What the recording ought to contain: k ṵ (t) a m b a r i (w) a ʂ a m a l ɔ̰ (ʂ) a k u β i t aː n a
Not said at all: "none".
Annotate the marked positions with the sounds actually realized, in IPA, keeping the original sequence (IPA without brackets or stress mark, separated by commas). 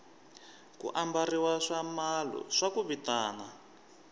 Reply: ʔ, w, ʂ